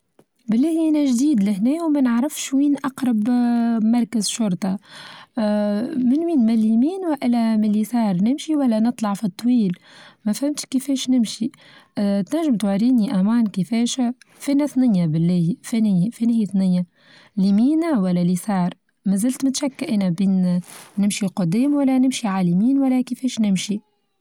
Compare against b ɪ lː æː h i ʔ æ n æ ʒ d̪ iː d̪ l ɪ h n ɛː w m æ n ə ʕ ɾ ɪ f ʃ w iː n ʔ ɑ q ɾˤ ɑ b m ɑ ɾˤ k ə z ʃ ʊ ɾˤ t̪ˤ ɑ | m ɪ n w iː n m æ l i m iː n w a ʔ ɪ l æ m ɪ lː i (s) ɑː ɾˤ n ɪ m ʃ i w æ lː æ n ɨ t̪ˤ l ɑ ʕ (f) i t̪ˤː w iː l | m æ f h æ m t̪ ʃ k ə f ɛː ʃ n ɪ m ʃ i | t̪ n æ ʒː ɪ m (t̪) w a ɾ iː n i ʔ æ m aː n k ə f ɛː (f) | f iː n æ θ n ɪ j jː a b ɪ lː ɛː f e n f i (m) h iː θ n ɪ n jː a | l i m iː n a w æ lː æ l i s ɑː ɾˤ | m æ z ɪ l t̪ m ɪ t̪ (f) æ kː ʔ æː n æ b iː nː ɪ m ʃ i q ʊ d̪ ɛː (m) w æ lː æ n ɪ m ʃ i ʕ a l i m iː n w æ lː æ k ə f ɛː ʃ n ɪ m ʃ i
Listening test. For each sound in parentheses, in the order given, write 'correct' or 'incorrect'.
correct, correct, correct, incorrect: ʃ, incorrect: n, incorrect: ʃ, correct

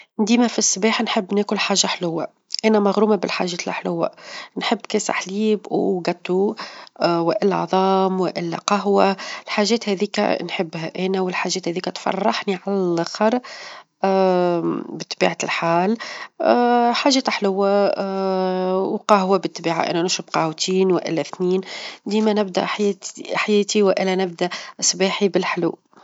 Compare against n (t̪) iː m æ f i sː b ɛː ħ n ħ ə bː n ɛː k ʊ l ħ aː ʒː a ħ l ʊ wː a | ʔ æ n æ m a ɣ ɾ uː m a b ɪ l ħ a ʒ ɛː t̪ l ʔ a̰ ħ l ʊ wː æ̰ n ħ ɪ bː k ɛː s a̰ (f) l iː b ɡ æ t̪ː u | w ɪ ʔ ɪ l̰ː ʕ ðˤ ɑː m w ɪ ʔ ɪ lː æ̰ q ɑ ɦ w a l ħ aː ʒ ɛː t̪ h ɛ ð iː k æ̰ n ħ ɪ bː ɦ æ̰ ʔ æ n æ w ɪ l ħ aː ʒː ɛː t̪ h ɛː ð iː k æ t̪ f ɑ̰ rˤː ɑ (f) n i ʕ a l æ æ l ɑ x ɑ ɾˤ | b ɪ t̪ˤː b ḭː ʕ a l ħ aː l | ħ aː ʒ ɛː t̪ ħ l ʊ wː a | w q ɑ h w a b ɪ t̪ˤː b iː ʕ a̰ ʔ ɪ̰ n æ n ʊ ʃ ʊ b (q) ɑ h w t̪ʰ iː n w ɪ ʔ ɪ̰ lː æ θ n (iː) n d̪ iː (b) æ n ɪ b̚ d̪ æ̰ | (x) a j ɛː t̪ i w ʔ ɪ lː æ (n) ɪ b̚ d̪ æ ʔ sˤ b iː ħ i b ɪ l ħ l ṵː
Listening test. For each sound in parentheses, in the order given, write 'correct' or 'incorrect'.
incorrect: d̪, incorrect: ħ, incorrect: ħ, correct, correct, incorrect: m, incorrect: ħ, correct

